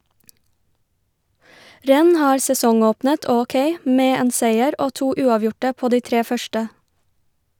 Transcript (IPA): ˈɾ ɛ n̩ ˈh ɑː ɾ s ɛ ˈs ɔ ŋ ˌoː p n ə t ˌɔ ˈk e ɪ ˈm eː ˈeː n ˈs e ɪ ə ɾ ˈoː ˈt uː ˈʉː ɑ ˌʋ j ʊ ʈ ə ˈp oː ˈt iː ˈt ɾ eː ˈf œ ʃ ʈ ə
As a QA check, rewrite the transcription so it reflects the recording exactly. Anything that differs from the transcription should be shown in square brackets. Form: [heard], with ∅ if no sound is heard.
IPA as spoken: ˈɾ ɛ n̩ ˈh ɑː ɾ s ɛ ˈs ɔ ŋ ˌoː p n ə t ˌɔ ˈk e ɪ ˈm eː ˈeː n ˈs e ɪ ə ɾ ˈoː ˈt uː ˈʉː ɑ ˌʋ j ʊ ʈ ə ˈp oː [ˈd] iː ˈt ɾ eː ˈf œ ʃ ʈ ə